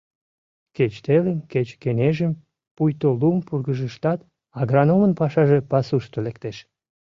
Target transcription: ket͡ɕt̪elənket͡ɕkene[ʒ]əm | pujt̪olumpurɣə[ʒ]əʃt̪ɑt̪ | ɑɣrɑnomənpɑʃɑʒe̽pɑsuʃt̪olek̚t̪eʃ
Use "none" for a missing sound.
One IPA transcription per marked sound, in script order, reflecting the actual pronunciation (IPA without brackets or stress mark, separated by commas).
ʒ, ʒ